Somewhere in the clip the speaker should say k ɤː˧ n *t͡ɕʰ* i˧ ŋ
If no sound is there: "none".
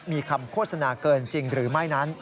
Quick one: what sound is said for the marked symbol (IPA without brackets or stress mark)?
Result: t͡ɕ